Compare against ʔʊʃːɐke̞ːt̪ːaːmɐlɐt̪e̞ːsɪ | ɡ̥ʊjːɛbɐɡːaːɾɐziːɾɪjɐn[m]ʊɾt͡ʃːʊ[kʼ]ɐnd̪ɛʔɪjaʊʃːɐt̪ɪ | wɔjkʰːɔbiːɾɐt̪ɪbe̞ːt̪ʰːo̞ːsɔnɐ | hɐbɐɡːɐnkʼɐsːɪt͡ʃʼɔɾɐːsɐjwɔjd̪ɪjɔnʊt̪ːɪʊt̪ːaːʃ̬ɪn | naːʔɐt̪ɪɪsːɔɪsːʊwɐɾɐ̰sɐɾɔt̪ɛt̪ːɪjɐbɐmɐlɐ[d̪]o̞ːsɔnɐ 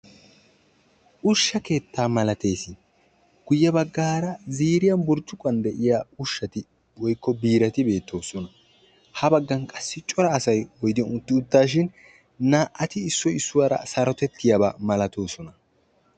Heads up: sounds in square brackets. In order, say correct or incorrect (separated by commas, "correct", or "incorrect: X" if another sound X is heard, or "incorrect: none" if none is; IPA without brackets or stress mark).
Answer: incorrect: b, correct, incorrect: t̪